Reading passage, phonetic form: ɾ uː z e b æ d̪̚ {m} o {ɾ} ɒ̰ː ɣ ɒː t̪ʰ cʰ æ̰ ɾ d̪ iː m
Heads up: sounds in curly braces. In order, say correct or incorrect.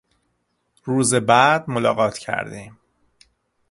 correct, incorrect: l

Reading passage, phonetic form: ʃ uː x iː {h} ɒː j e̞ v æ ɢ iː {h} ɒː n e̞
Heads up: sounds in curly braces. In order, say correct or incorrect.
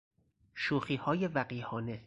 correct, correct

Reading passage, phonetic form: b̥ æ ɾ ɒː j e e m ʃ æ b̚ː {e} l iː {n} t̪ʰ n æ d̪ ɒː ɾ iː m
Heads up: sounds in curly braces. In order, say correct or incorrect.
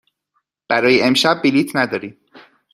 incorrect: i, incorrect: none

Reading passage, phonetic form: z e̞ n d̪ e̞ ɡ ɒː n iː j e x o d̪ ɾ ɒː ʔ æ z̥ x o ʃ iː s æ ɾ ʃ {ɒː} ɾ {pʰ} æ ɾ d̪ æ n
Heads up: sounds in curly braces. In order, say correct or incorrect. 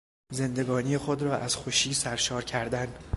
correct, incorrect: cʰ

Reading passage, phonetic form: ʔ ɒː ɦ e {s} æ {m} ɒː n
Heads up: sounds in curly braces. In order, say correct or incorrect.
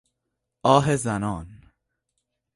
incorrect: z, incorrect: n

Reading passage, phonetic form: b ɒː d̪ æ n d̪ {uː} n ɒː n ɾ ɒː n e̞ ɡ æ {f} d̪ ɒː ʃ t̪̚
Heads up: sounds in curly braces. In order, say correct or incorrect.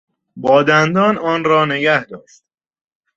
incorrect: ɒː, incorrect: h

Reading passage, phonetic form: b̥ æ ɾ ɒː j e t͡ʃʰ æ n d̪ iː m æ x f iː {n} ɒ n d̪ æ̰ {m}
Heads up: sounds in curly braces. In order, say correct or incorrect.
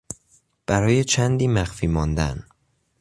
incorrect: m, incorrect: n

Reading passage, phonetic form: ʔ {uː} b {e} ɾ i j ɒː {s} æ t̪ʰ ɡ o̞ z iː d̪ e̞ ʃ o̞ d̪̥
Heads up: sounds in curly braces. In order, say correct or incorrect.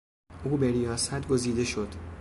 correct, correct, correct

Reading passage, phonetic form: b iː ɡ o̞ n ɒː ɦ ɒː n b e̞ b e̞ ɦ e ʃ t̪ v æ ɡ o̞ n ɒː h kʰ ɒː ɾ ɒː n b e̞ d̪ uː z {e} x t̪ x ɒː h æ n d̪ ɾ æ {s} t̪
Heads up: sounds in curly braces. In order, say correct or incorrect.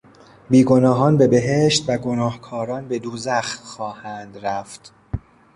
incorrect: æ, incorrect: f

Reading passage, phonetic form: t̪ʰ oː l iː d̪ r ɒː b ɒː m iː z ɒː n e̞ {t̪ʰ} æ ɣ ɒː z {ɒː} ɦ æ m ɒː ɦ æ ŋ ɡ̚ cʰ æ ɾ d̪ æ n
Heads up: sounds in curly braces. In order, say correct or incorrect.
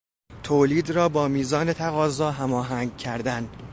correct, correct

